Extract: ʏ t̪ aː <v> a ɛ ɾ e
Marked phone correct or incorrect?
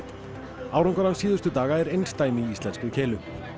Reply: incorrect